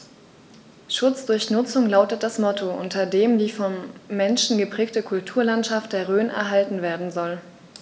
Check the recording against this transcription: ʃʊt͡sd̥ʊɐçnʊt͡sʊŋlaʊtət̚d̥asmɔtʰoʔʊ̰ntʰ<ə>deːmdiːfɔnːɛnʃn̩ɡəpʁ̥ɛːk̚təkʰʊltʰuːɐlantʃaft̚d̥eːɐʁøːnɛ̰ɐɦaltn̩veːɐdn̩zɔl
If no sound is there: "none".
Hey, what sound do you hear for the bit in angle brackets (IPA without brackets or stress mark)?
ɐ